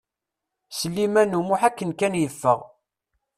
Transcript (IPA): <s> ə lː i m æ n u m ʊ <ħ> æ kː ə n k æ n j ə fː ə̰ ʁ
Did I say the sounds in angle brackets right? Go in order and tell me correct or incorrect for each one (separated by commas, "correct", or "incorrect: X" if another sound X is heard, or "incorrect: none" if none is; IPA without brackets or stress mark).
correct, correct